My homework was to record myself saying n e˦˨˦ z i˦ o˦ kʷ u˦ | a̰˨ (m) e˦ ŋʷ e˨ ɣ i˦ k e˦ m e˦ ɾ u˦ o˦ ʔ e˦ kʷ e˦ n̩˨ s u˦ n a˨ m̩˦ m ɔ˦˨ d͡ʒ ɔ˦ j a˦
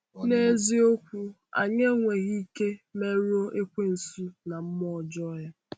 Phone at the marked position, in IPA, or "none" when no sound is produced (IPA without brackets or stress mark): ɲ